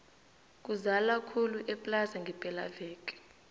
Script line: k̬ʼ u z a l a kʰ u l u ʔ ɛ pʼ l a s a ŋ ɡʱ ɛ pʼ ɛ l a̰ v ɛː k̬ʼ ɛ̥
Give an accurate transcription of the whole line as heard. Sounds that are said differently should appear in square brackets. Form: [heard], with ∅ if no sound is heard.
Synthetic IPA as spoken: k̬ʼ u z a l a kʰ u l u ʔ ɛ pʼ l a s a ŋ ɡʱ ɛ pʼ ɛ l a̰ v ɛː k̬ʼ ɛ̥